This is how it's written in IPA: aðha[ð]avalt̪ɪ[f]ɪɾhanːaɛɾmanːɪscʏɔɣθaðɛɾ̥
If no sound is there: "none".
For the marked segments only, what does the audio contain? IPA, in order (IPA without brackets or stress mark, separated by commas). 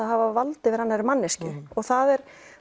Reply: v, v